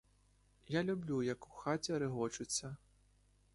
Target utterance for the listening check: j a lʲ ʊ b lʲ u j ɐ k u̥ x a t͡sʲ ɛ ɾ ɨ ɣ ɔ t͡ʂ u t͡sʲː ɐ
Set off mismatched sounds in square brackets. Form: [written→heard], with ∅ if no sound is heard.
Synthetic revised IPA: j a lʲ [ʊ→u] b lʲ u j ɐ k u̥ x a t͡sʲ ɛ ɾ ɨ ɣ ɔ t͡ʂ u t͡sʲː ɐ